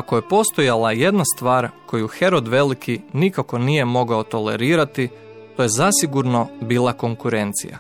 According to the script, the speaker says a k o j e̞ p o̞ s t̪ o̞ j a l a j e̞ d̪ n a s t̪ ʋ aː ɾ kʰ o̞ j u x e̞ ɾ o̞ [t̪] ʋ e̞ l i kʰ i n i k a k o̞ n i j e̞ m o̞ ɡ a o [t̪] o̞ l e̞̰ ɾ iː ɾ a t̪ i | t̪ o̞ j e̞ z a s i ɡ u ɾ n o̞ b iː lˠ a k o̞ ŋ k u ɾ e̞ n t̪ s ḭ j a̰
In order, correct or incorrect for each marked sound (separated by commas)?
incorrect, correct